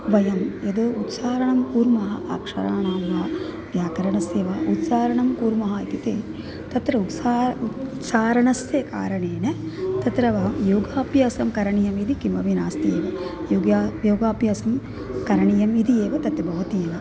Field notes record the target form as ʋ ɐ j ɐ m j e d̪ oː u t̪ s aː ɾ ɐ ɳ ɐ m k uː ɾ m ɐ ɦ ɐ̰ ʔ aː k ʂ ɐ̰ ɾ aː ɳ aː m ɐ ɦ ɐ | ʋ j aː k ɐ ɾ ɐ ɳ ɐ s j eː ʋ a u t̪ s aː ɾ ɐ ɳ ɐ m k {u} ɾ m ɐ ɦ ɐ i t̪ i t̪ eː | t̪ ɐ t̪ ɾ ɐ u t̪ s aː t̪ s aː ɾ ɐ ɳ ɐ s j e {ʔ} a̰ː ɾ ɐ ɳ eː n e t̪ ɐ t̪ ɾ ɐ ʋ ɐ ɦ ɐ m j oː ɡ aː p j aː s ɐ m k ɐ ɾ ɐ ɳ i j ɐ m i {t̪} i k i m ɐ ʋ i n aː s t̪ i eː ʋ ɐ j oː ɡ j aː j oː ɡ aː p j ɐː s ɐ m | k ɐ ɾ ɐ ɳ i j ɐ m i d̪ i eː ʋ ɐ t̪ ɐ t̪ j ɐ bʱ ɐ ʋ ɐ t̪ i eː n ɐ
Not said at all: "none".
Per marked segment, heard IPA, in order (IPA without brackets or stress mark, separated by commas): uː, k, d̪